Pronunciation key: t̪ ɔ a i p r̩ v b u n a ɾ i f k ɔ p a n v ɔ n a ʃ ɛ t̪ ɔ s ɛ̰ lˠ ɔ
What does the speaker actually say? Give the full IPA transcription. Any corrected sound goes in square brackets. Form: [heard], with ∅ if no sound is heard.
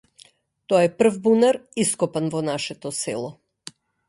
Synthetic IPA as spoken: t̪ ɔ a [ɛ] p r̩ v b u n a ɾ i [s] k ɔ p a n v ɔ n a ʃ ɛ t̪ ɔ s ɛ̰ lˠ ɔ